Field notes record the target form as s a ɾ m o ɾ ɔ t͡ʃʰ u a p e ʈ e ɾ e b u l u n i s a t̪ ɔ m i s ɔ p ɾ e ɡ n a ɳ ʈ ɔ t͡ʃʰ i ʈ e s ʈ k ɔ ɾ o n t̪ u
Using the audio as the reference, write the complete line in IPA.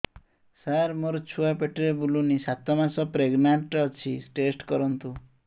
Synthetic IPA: s a ɾ m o ɾ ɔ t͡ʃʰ u a p e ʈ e ɾ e b u l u n i s a t̪ ɔ m a s ɔ p ɾ e ɡ n a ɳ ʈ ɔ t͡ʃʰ i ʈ e s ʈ k ɔ ɾ ɔ n t̪ u